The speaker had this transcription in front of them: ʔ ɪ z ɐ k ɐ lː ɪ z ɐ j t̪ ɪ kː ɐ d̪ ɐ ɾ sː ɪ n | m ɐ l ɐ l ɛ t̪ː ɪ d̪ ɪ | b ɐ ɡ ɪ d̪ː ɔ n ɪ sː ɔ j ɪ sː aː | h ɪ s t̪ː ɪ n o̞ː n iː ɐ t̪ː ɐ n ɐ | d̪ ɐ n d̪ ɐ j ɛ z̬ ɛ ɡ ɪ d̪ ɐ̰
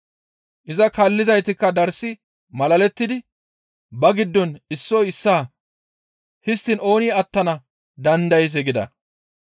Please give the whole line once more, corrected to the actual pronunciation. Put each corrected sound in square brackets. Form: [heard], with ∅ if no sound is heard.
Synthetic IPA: ʔ ɪ z ɐ k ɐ lː ɪ z ɐ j t̪ ɪ kː ɐ d̪ ɐ ɾ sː ɪ [∅] | m ɐ l ɐ l ɛ t̪ː ɪ d̪ ɪ | b ɐ ɡ ɪ d̪ː ɔ n ɪ sː ɔ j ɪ sː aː | h ɪ s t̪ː ɪ n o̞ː n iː ɐ t̪ː ɐ n ɐ | d̪ ɐ n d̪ ɐ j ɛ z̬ ɛ ɡ ɪ d̪ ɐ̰